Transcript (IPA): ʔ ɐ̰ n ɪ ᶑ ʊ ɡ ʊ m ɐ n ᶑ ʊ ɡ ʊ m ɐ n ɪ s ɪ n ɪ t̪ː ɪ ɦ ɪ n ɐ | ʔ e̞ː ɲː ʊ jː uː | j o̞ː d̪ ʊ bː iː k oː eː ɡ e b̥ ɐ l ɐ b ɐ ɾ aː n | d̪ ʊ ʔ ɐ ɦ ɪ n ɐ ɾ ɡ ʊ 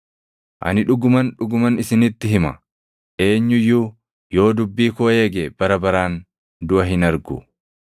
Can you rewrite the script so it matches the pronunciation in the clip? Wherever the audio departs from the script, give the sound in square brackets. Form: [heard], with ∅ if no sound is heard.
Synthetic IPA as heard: ʔ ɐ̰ n ɪ ᶑ ʊ ɡ ʊ m ɐ n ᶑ ʊ ɡ ʊ m ɐ n ɪ s ɪ n ɪ t̪ː ɪ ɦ ɪ [m] ɐ | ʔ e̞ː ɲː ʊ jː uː | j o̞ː d̪ ʊ bː iː k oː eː ɡ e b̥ ɐ [ɾ] ɐ b ɐ ɾ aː n | d̪ ʊ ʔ ɐ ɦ ɪ n ɐ ɾ ɡ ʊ